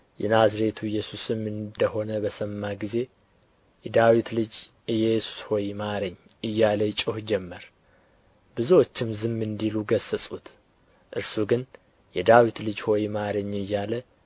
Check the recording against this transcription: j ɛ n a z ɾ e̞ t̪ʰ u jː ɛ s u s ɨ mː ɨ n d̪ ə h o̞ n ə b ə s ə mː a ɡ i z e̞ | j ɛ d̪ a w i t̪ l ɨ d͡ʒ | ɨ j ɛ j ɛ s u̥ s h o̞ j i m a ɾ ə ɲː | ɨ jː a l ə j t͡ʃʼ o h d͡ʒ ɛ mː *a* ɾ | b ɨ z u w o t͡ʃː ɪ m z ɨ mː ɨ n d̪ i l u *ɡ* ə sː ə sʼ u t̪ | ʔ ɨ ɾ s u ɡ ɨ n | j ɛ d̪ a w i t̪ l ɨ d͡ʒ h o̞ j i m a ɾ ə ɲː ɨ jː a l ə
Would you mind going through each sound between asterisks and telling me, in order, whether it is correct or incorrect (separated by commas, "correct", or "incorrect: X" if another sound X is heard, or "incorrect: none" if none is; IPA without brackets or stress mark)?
incorrect: ə, correct